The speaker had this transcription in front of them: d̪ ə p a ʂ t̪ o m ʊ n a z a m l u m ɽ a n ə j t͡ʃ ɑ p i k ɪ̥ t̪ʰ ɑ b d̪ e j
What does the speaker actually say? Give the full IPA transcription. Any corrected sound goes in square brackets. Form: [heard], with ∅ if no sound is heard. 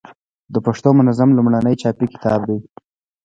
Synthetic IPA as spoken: d̪ ə p a ʂ t̪ o m ʊ n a z a m l u m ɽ a n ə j t͡ʃ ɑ p i k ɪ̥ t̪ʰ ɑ b d̪ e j